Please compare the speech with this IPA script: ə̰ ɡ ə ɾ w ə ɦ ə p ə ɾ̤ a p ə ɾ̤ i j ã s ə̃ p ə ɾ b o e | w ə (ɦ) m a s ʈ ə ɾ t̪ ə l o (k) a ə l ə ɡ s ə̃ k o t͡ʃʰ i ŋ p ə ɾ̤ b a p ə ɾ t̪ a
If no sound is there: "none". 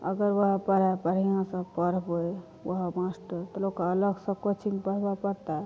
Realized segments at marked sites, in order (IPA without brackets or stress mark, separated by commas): ɦ, k